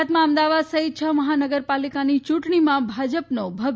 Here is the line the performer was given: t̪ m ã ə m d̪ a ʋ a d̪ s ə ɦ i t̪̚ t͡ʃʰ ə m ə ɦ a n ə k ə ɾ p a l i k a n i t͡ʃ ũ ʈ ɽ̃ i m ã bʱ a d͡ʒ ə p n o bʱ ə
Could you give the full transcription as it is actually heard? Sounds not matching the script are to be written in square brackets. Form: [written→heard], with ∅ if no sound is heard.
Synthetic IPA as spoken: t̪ m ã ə m d̪ a ʋ a d̪ s ə ɦ i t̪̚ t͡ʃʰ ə m ə ɦ a n ə [k→ɡ] ə ɾ p a l i k a n i t͡ʃ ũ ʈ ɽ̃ i m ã bʱ a d͡ʒ ə p n o bʱ ə